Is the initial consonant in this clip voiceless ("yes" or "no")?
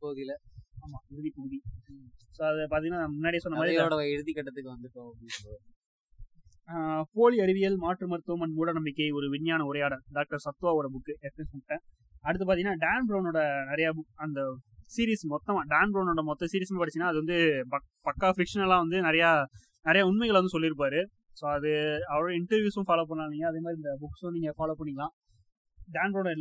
yes